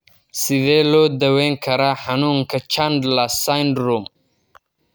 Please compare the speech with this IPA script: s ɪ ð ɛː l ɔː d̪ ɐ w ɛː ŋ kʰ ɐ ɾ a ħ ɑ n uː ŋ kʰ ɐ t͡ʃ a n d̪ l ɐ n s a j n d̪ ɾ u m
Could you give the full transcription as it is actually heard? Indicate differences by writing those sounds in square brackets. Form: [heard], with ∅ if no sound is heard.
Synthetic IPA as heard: s ɪ ð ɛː l ɔː d̪ ɐ w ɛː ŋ kʰ ɐ ɾ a ħ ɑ n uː ŋ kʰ ɐ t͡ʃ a n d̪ l ɐ [∅] s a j n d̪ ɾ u m

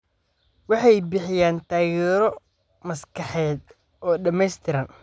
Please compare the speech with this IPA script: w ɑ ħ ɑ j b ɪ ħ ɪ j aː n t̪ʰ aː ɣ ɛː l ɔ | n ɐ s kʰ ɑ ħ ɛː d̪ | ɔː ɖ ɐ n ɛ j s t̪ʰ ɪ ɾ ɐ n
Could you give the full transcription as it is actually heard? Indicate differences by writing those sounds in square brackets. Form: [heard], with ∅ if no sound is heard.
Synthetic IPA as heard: w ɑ ħ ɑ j b ɪ ħ ɪ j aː n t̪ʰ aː ɣ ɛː [ɾ] ɔ | [m] ɐ s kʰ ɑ ħ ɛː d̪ | ɔː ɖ ɐ [m] ɛ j s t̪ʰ ɪ ɾ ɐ n

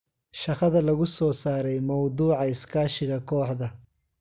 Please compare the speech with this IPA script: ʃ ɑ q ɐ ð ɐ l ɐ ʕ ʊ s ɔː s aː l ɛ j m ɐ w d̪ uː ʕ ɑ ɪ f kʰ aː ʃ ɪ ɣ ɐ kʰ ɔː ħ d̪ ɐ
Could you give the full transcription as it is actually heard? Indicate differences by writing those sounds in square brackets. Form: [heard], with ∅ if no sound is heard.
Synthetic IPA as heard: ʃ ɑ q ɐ ð ɐ l ɐ [ɣ] ʊ s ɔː s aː [ɾ] ɛ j m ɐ w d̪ uː ʕ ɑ ɪ [s] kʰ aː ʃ ɪ ɣ ɐ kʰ ɔː ħ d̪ ɐ

